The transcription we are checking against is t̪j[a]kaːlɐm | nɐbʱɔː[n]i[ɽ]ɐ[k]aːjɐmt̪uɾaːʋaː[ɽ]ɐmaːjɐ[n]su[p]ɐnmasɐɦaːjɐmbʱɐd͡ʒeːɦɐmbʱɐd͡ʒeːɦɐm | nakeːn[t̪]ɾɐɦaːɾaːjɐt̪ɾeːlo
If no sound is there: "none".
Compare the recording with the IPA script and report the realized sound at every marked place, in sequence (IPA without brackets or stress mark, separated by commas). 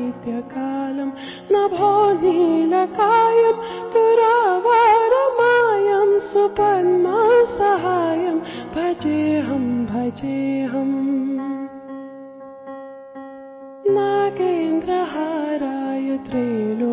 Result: ɐ, n, l, k, ɾ, m, p, d̪